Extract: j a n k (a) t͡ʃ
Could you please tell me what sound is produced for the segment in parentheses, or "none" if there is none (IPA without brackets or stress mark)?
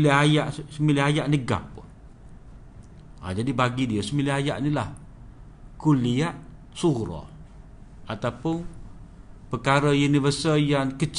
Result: ə